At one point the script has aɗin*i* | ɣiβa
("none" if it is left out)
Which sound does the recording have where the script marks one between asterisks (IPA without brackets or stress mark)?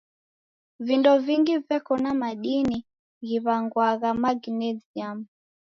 i